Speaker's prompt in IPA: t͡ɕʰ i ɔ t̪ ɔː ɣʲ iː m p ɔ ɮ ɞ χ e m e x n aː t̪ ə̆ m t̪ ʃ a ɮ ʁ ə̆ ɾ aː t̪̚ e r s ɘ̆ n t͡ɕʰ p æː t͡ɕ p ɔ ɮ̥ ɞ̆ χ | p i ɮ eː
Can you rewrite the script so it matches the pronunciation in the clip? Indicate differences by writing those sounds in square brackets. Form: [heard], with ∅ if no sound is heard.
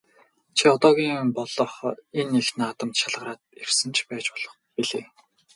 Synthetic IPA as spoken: t͡ɕʰ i ɔ t̪ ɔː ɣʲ iː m p ɔ ɮ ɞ χ e [n] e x n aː t̪ ə̆ m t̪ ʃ a ɮ ʁ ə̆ ɾ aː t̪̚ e r s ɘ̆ n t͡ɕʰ p æː t͡ɕ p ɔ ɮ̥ ɞ̆ χ | p i ɮ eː